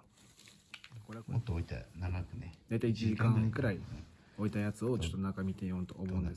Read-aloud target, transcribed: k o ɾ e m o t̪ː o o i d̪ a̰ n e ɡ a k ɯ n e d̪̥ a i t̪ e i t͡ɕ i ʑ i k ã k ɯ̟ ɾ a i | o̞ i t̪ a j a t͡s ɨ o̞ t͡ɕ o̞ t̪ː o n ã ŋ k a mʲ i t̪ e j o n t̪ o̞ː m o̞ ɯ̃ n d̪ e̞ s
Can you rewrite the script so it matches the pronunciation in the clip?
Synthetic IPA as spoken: k o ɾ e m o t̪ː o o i t̪ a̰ n a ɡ a k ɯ n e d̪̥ a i t̪ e i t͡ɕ i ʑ i k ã k ɯ̟ ɾ a i | o̞ i t̪ a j a t͡s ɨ o̞ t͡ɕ o̞ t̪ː o n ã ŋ k a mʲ i t̪ e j o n t̪ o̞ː m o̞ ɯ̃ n d̪ e̞ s